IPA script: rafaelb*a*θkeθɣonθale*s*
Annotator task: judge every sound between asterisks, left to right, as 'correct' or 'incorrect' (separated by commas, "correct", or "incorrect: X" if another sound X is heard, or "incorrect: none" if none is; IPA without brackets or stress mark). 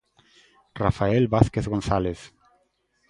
correct, incorrect: θ